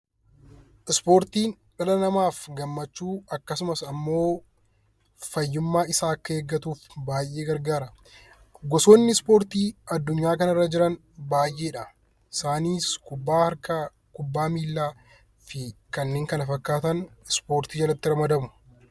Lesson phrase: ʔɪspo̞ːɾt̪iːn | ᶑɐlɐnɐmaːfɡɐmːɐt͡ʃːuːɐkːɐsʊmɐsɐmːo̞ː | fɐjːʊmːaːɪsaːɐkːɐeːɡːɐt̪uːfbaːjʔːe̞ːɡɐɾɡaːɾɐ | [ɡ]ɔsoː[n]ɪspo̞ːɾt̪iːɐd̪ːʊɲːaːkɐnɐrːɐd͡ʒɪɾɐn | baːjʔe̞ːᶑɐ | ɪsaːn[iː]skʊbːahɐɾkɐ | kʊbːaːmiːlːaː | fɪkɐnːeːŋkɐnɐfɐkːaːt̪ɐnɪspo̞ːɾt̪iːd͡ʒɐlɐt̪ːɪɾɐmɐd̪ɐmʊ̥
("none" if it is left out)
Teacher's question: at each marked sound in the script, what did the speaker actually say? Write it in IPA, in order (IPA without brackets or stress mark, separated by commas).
ɡ, nː, iː